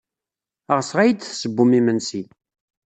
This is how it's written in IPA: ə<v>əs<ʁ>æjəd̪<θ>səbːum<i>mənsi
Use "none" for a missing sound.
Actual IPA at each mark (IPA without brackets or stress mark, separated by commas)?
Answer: ʁ, ʁ, θ, i